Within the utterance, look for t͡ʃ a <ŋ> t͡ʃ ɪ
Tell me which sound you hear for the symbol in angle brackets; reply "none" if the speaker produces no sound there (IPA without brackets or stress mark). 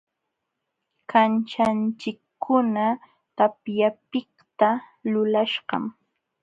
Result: n